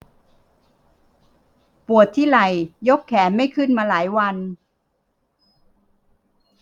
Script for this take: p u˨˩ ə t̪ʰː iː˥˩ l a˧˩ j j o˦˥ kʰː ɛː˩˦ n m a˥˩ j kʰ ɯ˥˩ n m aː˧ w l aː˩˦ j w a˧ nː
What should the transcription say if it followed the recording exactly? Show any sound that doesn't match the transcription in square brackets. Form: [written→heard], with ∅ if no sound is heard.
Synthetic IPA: p u˨˩ ə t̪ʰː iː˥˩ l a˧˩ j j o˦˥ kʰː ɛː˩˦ n m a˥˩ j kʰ ɯ˥˩ n m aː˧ [w→∅] l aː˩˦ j w a˧ [nː→n]